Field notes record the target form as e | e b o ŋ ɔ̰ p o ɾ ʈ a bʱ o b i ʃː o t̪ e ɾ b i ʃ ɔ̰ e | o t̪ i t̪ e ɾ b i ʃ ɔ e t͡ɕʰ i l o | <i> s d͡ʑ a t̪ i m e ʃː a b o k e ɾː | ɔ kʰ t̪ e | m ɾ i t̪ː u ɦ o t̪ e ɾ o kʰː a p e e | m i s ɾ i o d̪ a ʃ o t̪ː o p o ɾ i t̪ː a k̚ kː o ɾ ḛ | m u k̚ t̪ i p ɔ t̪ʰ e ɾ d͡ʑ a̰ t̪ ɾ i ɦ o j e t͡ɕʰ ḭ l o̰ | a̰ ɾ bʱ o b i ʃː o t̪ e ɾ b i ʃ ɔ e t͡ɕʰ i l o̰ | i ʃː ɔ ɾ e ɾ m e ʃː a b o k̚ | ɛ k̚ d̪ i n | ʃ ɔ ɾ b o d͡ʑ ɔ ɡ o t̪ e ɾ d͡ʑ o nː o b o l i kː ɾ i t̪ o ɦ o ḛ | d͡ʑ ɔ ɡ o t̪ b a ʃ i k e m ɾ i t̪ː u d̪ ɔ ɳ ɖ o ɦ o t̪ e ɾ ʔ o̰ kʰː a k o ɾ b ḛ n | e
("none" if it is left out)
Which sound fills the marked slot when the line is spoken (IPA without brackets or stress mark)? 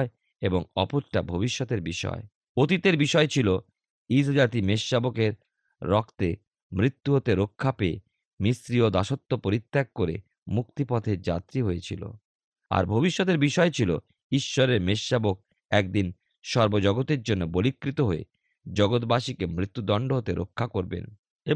i